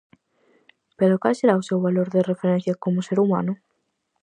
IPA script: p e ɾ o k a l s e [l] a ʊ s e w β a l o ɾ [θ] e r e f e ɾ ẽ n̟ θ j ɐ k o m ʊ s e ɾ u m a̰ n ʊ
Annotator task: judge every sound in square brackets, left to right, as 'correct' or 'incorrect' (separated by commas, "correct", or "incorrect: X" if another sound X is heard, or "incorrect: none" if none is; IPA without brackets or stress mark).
incorrect: ɾ, incorrect: ð